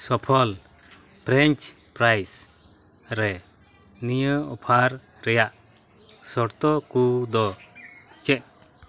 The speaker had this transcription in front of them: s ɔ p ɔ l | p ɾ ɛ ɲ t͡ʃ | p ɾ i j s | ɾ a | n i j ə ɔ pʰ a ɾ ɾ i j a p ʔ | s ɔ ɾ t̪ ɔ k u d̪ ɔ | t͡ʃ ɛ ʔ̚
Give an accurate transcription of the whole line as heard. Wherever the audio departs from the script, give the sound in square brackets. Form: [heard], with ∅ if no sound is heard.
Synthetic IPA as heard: s ɔ [pʰ] ɔ l | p ɾ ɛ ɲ t͡ʃ | p ɾ [a] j s | ɾ [ɛ] | n i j ə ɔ pʰ a ɾ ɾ [ɛ] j a [∅] ʔ | s ɔ ɾ t̪ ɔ k u d̪ ɔ | t͡ʃ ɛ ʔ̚